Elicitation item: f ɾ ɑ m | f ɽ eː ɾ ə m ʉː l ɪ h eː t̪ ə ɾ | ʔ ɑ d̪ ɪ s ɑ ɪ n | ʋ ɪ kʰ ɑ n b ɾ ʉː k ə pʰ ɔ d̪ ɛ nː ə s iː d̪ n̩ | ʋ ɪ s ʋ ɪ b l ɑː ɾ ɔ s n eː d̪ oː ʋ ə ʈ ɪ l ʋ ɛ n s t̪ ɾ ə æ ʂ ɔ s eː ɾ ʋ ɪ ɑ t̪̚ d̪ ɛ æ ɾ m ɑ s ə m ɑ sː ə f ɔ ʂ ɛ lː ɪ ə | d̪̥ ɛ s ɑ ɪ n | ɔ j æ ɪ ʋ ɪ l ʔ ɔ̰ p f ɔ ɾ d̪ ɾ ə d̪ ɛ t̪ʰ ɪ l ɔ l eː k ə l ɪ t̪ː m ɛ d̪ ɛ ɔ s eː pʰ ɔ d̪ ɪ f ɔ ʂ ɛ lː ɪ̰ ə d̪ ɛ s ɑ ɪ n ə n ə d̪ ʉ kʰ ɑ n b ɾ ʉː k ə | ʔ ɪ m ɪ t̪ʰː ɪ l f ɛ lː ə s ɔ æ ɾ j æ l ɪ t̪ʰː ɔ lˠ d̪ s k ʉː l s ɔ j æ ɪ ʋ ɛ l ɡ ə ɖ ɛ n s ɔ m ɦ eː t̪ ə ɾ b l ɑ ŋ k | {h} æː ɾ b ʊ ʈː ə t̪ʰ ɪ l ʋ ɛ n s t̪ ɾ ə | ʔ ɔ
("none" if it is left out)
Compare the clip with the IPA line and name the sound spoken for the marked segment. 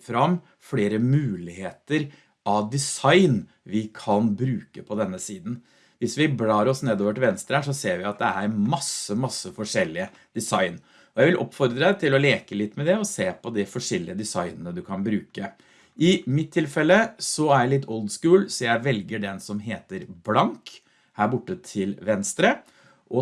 h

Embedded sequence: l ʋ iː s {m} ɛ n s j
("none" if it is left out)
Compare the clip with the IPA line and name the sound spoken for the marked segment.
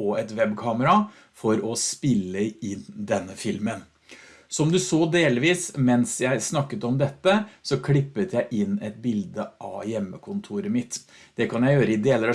m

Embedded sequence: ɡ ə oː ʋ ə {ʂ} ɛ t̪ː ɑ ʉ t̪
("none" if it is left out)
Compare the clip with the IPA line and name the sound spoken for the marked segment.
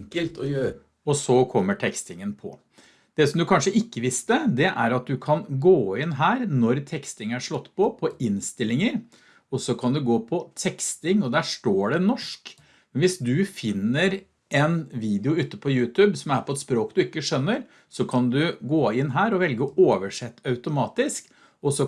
ʂ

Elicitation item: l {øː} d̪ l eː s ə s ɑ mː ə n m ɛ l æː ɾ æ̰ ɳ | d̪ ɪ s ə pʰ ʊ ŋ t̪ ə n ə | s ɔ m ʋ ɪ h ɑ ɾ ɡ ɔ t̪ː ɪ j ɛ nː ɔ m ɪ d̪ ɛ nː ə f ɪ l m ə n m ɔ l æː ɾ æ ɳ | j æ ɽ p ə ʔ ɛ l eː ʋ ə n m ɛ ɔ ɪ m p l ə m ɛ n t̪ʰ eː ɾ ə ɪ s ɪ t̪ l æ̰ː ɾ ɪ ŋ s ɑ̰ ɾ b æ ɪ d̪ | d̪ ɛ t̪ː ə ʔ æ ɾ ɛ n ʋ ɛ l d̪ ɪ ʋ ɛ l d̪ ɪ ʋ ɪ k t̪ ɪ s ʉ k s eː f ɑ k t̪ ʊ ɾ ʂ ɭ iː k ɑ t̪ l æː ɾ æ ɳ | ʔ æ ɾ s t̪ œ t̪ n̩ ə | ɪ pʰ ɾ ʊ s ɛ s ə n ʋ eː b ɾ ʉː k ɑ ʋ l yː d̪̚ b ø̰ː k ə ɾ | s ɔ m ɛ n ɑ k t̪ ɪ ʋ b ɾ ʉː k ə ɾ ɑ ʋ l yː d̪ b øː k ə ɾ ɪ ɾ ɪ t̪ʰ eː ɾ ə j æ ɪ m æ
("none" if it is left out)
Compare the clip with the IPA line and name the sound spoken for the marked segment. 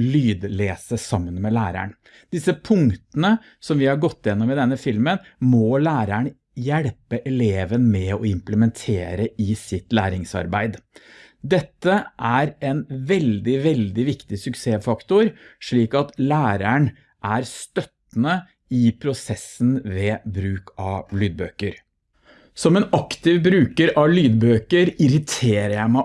yː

